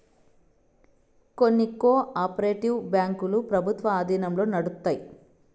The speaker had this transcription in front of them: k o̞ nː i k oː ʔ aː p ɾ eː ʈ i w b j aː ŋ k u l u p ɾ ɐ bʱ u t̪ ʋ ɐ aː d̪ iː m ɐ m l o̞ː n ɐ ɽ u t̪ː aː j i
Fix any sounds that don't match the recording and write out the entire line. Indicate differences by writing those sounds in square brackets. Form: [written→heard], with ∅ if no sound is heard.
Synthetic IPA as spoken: k o̞ nː i k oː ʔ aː p ɾ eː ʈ i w b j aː ŋ k u l u p ɾ ɐ bʱ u t̪ ʋ ɐ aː d̪ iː [m→n] ɐ m l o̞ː n ɐ ɽ u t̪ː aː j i

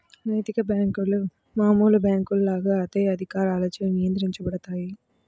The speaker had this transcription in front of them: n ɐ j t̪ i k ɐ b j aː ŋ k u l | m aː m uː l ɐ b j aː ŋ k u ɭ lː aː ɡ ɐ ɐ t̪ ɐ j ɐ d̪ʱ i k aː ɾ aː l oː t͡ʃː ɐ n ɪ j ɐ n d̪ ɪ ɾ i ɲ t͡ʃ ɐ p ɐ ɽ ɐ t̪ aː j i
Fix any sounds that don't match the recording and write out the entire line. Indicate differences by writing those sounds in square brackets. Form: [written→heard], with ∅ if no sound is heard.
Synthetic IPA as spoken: n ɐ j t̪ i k ɐ b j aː ŋ k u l | m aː m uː l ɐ b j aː ŋ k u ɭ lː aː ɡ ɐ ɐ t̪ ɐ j ɐ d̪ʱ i k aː ɾ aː l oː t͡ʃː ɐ n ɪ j ɐ n d̪ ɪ ɾ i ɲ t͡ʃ ɐ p ɐ ɽ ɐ t̪ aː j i

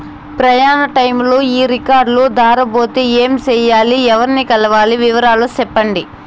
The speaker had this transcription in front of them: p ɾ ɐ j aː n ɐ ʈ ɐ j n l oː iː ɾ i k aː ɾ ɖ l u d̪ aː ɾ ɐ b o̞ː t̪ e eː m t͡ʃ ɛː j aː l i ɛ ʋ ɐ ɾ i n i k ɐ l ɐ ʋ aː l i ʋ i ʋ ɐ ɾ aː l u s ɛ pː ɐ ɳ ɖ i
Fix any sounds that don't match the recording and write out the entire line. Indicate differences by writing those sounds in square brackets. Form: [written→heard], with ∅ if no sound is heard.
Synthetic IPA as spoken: p ɾ ɐ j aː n ɐ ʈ ɐ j [n→m] l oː iː ɾ i k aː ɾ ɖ l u d̪ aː ɾ ɐ b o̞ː t̪ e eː m t͡ʃ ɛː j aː l i ɛ ʋ ɐ ɾ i n i k ɐ l ɐ ʋ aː l i ʋ i ʋ ɐ ɾ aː l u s ɛ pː ɐ ɳ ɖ i

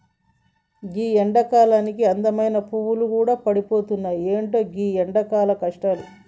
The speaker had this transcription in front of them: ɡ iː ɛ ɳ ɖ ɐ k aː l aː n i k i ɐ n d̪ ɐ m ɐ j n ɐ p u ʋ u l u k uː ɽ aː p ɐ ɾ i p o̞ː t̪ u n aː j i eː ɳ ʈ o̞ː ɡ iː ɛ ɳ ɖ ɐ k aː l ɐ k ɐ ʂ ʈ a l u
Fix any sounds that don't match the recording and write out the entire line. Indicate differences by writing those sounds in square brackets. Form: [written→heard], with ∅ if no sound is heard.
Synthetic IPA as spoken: ɡ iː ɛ ɳ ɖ ɐ k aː l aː n i k i ɐ n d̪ ɐ m ɐ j n ɐ p u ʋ u l u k uː ɽ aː p ɐ [ɾ→ɽ] i p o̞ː t̪ u [n→nː] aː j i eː ɳ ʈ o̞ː ɡ iː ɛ ɳ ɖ ɐ k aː l ɐ k ɐ ʂ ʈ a l u

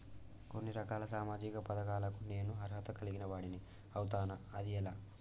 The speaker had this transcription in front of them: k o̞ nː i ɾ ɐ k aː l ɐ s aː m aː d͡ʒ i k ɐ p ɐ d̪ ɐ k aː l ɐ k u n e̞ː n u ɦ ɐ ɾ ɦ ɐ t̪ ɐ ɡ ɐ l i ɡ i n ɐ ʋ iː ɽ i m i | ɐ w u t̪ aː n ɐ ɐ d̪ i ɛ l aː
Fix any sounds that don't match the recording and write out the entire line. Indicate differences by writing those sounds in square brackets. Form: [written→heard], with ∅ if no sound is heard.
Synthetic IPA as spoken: k o̞ nː i ɾ ɐ k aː l ɐ s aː m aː d͡ʒ i k ɐ p ɐ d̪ ɐ k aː l ɐ k u n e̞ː n u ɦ ɐ ɾ ɦ ɐ t̪ ɐ [ɡ→k] ɐ l i ɡ i n ɐ ʋ [iː→aː] ɽ i [m→n] i | ɐ w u t̪ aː n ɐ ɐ d̪ i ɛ l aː

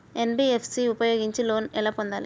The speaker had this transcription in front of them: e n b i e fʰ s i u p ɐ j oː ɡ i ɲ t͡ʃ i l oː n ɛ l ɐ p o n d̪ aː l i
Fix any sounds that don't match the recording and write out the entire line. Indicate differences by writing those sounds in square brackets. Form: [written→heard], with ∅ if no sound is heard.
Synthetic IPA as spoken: e n b i e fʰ s i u p ɐ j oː ɡ i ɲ t͡ʃ i l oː n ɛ l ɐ p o n d̪ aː l i

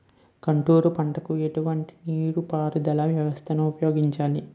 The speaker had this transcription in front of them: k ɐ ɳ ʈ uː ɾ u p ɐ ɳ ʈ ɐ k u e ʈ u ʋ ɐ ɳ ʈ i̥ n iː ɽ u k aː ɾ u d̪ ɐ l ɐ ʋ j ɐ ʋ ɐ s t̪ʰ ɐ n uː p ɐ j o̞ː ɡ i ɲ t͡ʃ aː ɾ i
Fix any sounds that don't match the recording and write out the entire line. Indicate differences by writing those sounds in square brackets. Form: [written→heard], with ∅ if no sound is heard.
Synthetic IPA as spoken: k ɐ ɳ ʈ uː ɾ u p ɐ ɳ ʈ ɐ k u e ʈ u ʋ ɐ ɳ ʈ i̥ n iː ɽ u [k→p] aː ɾ u d̪ ɐ l ɐ ʋ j ɐ ʋ ɐ s t̪ʰ ɐ n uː p ɐ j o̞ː ɡ i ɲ t͡ʃ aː [ɾ→l] i

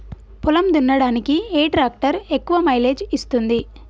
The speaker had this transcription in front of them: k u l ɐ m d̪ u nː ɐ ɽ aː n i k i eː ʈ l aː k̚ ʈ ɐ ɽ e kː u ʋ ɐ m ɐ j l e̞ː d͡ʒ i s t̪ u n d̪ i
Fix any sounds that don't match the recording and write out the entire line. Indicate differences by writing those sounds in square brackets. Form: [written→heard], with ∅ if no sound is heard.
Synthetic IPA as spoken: [k→p] u l ɐ m d̪ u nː ɐ ɽ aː n i k i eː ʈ [l→ɾ] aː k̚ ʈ ɐ [ɽ→ɾ] e kː u ʋ ɐ m ɐ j l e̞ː d͡ʒ i s t̪ u n d̪ i

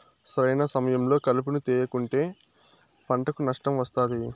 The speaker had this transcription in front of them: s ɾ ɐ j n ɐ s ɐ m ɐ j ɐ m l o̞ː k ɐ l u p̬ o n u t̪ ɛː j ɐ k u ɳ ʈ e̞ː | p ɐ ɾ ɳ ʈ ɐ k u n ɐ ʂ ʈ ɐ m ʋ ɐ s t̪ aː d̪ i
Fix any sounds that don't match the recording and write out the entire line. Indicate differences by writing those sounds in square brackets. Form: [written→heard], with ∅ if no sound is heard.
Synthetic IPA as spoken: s ɾ ɐ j n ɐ s ɐ m ɐ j ɐ m l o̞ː k ɐ l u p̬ [o→u] n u t̪ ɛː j ɐ k u ɳ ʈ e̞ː | p ɐ [ɾ→∅] ɳ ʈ ɐ k u n ɐ ʂ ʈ ɐ m ʋ ɐ s t̪ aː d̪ i

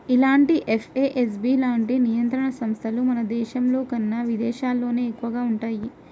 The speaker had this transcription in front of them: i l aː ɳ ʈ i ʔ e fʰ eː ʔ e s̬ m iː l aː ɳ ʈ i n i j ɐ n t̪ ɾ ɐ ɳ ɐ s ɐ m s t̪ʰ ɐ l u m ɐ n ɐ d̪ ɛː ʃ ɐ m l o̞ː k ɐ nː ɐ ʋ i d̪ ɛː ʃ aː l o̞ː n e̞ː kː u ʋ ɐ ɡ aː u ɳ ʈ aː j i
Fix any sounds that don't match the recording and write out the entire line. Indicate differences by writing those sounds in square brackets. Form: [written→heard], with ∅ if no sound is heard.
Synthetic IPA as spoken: i l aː ɳ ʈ i ʔ e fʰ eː ʔ e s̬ [m→b] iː l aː ɳ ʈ i n i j ɐ n t̪ ɾ ɐ ɳ ɐ s ɐ m s t̪ʰ ɐ l u m ɐ n ɐ d̪ ɛː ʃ ɐ m l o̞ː k ɐ nː ɐ ʋ i d̪ ɛː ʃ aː [l→lː] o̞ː n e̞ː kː u ʋ ɐ ɡ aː u ɳ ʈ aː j i

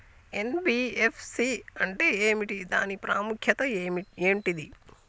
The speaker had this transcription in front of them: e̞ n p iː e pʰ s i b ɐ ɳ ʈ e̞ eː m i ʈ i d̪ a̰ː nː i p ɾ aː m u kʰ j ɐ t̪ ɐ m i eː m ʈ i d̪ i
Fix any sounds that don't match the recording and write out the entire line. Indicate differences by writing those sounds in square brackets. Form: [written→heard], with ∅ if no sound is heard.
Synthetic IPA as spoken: e̞ n [p→b] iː e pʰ s i [b→∅] ɐ ɳ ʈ e̞ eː m i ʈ i d̪ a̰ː [nː→n] i p ɾ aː m u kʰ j ɐ t̪ ɐ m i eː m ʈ i d̪ i

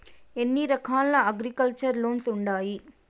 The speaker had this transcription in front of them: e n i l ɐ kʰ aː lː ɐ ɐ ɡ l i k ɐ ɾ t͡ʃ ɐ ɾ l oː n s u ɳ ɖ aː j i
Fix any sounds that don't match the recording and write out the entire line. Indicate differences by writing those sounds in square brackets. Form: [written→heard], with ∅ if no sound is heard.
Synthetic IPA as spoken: e [n→nː] i [l→ɾ] ɐ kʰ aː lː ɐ ɐ ɡ [l→ɾ] i k ɐ [ɾ→l] t͡ʃ ɐ ɾ l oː n s u ɳ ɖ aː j i

